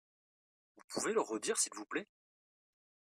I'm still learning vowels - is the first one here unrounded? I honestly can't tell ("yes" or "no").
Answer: no